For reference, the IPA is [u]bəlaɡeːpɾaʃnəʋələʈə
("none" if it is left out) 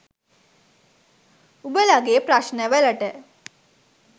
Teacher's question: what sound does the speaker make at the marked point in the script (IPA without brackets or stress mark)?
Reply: u